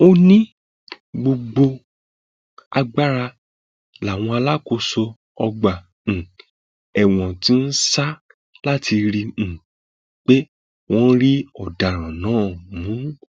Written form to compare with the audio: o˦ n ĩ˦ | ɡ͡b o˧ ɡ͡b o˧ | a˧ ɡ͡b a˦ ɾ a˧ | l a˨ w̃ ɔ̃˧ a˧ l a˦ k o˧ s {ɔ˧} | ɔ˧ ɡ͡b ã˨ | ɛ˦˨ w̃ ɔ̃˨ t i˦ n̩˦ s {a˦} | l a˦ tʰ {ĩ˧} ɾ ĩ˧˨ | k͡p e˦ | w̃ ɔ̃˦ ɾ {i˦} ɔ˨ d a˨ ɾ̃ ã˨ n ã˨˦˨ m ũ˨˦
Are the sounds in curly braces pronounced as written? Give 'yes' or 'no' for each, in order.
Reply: no, yes, no, yes

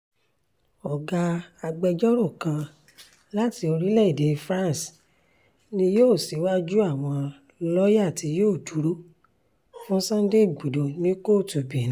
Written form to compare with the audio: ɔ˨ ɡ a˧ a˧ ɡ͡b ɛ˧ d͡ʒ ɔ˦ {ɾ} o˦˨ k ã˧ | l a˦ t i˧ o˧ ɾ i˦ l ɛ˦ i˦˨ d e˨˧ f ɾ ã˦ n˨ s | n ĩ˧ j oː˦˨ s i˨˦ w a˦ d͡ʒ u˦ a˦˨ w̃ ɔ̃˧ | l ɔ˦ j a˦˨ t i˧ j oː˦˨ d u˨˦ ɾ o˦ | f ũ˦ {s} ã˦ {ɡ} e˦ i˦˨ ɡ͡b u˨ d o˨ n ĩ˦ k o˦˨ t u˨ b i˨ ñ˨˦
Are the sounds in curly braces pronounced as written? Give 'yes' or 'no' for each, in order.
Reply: yes, yes, no

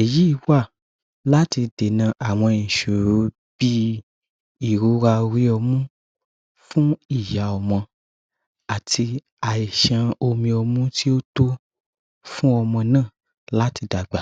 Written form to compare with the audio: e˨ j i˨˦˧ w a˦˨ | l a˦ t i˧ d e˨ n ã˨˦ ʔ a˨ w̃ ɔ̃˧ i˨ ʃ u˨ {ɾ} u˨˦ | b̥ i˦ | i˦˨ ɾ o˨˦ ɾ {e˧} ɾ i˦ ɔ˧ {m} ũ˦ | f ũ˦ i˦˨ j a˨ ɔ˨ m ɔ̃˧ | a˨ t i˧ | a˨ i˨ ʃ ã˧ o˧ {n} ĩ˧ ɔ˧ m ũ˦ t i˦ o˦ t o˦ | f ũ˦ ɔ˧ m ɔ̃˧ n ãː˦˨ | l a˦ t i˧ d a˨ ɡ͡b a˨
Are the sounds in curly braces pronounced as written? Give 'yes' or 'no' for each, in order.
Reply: yes, no, yes, no

